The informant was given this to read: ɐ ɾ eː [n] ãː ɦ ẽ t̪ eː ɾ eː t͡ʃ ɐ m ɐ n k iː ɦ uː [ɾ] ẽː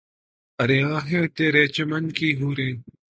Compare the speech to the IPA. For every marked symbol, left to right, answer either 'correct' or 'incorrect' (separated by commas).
incorrect, correct